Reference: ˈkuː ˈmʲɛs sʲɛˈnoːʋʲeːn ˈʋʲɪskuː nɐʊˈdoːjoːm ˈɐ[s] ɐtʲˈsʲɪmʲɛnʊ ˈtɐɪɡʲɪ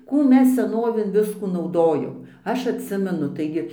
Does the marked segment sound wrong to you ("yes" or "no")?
yes